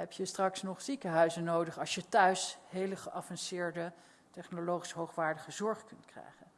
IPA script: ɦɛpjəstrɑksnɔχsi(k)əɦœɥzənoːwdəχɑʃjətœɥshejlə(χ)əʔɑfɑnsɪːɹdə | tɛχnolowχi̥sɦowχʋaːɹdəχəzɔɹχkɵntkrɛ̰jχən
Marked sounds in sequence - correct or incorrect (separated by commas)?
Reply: correct, correct